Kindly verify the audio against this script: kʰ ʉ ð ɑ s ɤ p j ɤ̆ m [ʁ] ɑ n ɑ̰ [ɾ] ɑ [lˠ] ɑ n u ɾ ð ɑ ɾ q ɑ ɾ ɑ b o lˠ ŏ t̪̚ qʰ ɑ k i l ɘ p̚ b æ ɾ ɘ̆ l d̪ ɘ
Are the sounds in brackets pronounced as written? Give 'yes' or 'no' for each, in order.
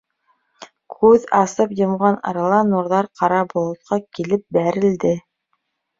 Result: yes, yes, yes

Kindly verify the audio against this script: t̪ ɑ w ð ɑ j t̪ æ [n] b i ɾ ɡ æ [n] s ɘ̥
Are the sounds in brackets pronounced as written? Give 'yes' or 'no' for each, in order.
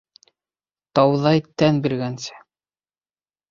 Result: yes, yes

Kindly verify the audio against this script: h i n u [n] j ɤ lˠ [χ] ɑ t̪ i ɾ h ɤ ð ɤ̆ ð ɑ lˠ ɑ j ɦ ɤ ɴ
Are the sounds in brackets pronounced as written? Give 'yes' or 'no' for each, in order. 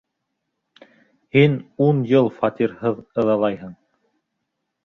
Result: yes, no

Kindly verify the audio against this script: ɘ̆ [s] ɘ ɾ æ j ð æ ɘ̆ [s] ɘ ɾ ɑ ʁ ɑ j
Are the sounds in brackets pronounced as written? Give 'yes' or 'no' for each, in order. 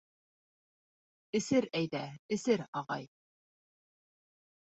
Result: yes, yes

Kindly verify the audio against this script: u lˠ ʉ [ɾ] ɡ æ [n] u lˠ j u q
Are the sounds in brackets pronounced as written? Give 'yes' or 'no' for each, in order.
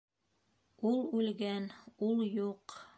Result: no, yes

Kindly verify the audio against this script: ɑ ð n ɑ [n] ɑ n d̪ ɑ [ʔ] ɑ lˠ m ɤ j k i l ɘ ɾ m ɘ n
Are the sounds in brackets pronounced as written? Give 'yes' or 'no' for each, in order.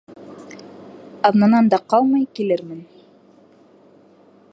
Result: yes, no

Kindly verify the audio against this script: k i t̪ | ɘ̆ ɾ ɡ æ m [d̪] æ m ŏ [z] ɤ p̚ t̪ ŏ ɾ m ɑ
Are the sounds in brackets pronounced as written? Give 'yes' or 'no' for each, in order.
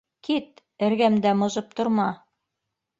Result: yes, yes

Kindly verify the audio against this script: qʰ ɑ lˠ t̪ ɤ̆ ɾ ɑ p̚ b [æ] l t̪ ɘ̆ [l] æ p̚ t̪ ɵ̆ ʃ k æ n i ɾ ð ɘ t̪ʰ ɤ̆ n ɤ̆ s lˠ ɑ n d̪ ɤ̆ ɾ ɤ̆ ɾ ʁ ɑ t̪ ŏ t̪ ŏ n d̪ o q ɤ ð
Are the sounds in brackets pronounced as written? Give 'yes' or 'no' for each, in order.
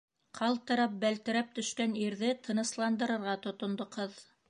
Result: yes, no

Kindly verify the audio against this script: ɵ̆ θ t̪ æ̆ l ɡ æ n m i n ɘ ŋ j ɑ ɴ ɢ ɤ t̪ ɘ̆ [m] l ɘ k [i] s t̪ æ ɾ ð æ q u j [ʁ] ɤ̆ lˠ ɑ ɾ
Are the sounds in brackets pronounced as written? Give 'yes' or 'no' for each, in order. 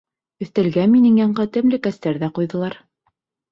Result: yes, no, no

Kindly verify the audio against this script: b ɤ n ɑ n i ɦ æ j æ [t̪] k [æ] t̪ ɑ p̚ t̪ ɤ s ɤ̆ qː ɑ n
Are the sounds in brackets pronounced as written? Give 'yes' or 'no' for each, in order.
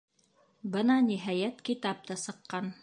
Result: yes, no

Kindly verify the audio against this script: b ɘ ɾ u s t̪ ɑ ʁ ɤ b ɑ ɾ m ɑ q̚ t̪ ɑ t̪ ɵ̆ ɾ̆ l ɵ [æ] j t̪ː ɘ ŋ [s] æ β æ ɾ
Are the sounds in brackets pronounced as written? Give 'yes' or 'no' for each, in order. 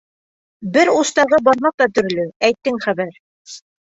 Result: yes, no

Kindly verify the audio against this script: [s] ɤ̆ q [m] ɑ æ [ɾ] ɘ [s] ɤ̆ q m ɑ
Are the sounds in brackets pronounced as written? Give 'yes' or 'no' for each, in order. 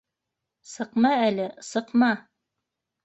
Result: yes, yes, no, yes

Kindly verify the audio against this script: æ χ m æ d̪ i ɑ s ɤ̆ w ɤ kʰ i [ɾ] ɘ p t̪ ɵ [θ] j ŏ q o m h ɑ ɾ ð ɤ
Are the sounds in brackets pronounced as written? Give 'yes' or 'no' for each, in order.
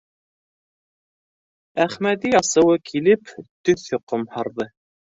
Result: no, yes

